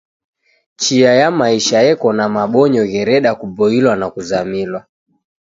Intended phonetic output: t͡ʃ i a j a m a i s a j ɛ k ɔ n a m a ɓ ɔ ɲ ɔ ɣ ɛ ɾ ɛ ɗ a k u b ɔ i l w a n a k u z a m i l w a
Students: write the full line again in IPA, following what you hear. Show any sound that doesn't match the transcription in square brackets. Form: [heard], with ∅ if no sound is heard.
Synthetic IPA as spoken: t͡ʃ i a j a m a i [ʃ] a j ɛ k ɔ n a m a ɓ ɔ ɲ ɔ ɣ ɛ ɾ ɛ ɗ a k u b ɔ i l w a n a k u z a m i l w a